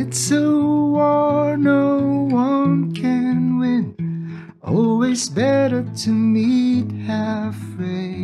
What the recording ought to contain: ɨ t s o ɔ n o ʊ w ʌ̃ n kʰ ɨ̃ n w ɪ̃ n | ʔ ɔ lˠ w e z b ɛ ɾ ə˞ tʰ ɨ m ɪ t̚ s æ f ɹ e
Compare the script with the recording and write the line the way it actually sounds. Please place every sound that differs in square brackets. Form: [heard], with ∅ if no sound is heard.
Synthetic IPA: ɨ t s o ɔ n o ʊ w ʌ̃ n kʰ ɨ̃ n w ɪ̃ n | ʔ ɔ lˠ w [i] z b ɛ ɾ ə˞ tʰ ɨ m [i] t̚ [h] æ f ɹ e